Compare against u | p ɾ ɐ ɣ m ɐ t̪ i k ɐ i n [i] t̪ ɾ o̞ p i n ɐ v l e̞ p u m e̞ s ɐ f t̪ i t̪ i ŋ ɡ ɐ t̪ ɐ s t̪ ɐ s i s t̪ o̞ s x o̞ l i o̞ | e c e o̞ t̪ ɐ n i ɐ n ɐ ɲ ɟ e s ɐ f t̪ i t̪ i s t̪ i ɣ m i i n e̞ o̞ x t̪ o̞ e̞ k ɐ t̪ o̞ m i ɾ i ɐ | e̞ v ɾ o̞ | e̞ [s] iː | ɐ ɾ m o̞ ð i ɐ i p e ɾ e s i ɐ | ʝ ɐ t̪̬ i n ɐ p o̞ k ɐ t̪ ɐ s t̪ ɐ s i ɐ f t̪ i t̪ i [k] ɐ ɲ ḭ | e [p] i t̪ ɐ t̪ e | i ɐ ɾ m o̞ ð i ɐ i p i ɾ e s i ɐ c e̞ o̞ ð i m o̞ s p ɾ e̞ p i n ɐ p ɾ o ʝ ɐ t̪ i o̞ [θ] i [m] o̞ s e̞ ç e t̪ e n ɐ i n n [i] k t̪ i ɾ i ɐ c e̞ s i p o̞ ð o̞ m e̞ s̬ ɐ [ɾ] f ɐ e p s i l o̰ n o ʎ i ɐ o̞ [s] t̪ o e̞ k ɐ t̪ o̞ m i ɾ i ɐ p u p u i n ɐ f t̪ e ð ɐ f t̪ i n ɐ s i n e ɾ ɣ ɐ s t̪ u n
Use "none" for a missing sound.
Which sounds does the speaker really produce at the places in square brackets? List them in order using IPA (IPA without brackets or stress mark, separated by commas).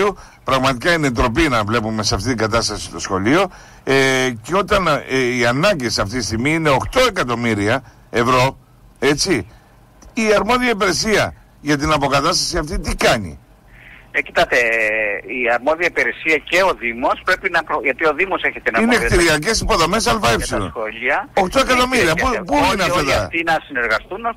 e, t͡s, k, c, ð, m, e, l, x